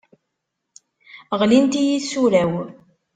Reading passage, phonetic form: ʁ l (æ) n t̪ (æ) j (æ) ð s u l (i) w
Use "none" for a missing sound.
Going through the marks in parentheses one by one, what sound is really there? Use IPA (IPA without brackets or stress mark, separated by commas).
i, i, i, æ